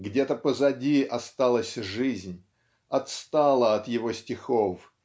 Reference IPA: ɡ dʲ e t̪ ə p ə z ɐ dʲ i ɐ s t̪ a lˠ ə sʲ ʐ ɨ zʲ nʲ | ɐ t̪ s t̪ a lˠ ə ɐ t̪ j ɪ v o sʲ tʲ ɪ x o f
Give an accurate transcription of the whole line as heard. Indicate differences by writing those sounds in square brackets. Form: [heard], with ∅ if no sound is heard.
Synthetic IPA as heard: ɡ dʲ e t̪ ə p ə z ɐ dʲ i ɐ s t̪ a lˠ ə sʲ ʐ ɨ zʲ nʲ | ɐ t̪ s t̪ a lˠ ə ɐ t̪ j ɪ v o sʲ tʲ ɪ x o f